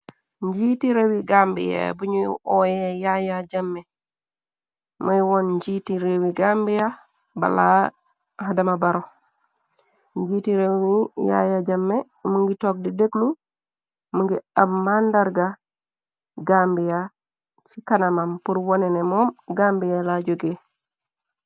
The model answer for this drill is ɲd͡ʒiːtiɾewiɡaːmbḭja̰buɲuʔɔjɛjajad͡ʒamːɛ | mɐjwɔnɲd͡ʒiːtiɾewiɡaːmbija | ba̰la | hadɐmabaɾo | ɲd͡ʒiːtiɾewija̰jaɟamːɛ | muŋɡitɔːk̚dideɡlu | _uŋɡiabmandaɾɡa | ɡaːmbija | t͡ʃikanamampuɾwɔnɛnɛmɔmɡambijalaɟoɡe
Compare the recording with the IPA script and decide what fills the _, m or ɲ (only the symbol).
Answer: m